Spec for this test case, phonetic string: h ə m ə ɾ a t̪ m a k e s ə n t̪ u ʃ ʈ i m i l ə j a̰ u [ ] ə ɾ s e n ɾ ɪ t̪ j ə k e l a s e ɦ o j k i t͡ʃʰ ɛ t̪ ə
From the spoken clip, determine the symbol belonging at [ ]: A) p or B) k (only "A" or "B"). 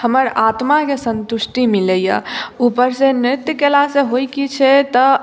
A